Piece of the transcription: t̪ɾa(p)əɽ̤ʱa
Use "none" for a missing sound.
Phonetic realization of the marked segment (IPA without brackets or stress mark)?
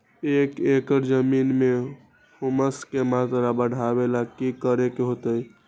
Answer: b